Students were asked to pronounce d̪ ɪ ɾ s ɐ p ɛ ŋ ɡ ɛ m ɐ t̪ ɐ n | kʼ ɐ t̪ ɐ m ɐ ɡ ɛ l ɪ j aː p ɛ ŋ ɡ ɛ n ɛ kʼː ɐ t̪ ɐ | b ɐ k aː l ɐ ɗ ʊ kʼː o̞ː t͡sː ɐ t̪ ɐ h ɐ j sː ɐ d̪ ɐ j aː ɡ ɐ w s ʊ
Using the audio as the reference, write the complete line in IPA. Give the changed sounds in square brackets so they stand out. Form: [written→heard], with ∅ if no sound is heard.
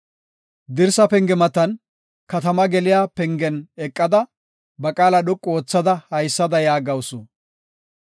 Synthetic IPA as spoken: d̪ ɪ ɾ s ɐ p ɛ ŋ ɡ ɛ m ɐ t̪ ɐ n | [kʼ→k] ɐ t̪ ɐ m ɐ ɡ ɛ l ɪ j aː p ɛ ŋ ɡ ɛ n ɛ kʼː ɐ [t̪→d̪] ɐ | b ɐ [k→kʼ] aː l ɐ ɗ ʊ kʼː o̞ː t͡sː ɐ [t̪→d̪] ɐ h ɐ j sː ɐ d̪ ɐ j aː ɡ ɐ w s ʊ